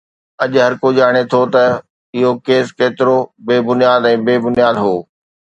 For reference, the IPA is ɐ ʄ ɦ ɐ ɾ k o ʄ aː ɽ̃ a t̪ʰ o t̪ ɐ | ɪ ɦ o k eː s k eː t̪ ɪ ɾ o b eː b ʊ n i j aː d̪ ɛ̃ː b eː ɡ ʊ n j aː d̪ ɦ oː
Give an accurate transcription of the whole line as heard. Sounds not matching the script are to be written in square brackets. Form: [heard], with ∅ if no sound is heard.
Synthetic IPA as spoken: ɐ ʄ ɦ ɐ ɾ k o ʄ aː ɽ̃ [e] t̪ʰ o t̪ ɐ | ɪ ɦ o k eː s k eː t̪ ɪ ɾ o b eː b ʊ n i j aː d̪ ɛ̃ː b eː [b] ʊ n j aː d̪ ɦ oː